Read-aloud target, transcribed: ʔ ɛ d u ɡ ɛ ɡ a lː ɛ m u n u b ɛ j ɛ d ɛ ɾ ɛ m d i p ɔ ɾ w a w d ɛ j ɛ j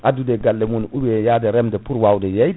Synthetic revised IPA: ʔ a d u d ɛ ɡ a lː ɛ m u n u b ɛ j a d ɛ ɾ ɛ m d ɛ p u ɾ w a w d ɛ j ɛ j